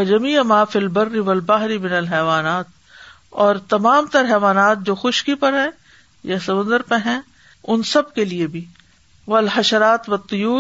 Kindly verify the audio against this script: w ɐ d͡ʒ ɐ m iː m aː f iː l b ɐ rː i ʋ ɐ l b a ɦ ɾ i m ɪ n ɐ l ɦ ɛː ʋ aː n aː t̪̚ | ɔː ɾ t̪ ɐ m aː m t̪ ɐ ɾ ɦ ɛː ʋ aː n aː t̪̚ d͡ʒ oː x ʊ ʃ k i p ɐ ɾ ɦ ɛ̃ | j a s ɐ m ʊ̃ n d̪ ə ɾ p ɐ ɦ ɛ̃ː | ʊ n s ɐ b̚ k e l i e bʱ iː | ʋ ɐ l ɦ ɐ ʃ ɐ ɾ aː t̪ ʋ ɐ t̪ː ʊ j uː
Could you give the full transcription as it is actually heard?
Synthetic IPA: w ɐ d͡ʒ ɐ m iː m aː f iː l b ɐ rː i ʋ ɐ l b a ɦ ɾ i m ɪ n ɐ l ɦ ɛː ʋ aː n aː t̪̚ | ɔː ɾ t̪ ɐ m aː m t̪ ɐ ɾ ɦ ɛː ʋ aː n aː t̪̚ d͡ʒ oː x ʊ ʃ k i p ɐ ɾ ɦ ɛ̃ | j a s ɐ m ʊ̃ n d̪ ə ɾ p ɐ ɦ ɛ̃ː | ʊ n s ɐ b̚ k e l i e bʱ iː | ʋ ɐ l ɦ ɐ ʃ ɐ ɾ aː t̪ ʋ ɐ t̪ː ʊ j uː